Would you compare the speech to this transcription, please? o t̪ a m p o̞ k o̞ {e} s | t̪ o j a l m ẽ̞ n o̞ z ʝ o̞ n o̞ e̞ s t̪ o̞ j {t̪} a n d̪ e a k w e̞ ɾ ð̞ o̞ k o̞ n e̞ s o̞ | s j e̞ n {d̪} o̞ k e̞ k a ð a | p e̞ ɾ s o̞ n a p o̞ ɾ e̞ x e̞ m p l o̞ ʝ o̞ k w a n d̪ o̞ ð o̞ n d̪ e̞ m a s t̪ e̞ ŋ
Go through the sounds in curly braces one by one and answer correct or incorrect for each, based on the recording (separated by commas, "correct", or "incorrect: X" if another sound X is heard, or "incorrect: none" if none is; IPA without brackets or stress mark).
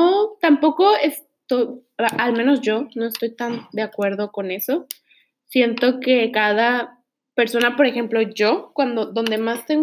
correct, correct, incorrect: t̪